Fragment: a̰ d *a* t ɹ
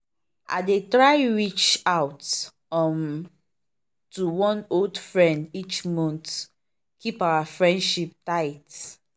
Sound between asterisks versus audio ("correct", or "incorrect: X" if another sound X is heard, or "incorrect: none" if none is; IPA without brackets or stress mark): incorrect: e